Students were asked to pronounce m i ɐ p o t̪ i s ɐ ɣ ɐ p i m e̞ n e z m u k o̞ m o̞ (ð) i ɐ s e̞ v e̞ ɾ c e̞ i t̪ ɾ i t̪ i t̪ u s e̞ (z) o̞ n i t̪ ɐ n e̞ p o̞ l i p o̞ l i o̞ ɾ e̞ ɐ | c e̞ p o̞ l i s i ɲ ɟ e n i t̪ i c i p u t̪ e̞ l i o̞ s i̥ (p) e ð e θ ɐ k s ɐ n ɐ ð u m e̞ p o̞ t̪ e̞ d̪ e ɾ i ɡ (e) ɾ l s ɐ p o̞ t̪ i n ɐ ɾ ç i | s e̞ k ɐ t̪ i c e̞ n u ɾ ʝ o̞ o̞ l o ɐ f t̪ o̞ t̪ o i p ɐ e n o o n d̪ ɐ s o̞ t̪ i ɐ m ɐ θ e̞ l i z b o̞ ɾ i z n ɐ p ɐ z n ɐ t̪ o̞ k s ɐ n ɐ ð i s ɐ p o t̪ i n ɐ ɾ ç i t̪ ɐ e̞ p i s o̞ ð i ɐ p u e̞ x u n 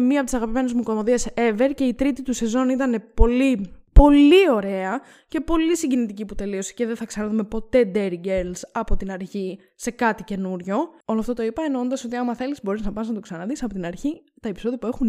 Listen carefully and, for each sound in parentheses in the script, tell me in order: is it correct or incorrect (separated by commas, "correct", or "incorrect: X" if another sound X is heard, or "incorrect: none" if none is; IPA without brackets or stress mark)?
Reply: correct, correct, incorrect: c, correct